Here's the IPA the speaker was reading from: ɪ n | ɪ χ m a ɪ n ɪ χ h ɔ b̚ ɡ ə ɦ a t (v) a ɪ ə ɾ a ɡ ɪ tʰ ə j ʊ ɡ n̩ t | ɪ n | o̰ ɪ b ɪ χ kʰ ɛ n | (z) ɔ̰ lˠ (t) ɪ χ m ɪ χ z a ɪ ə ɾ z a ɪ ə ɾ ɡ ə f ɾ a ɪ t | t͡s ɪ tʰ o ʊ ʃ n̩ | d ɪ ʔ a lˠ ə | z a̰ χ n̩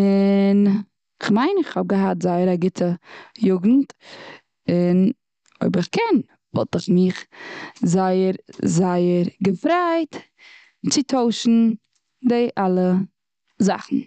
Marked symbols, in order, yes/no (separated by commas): no, no, yes